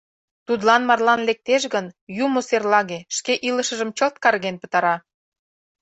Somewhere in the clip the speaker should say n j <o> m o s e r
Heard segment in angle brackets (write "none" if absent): u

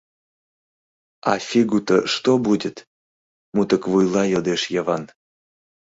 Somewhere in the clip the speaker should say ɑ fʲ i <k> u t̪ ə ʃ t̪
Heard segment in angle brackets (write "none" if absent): ɡ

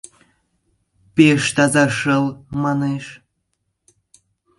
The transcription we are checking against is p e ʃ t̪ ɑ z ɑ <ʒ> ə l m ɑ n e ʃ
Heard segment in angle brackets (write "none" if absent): ʃ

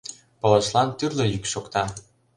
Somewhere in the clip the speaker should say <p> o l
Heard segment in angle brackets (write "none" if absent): p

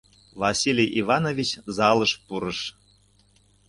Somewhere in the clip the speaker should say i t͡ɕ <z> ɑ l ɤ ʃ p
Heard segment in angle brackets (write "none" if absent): z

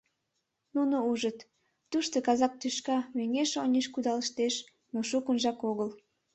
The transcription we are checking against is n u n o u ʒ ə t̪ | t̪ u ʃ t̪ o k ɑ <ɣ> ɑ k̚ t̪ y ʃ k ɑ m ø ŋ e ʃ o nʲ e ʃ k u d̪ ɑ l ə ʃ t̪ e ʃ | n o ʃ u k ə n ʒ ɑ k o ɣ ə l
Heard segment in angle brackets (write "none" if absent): z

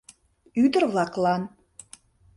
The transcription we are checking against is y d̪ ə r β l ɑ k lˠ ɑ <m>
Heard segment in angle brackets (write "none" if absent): n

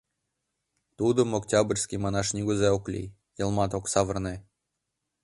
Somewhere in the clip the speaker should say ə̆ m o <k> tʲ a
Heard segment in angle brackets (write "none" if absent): k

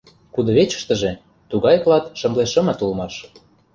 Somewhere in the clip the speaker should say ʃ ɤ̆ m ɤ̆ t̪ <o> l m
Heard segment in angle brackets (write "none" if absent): u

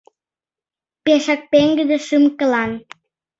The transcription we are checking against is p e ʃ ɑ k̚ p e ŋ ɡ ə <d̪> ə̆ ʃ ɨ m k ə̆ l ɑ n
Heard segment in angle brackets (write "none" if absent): d̪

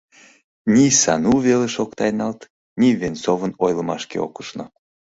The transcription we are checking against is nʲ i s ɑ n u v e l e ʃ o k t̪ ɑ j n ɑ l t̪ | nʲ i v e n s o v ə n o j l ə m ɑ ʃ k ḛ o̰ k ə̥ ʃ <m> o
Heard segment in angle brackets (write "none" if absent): n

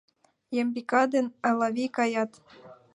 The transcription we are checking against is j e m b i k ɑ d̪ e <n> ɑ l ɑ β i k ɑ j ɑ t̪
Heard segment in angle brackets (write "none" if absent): n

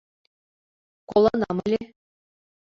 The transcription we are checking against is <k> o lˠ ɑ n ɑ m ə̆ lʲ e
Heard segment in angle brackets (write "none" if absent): k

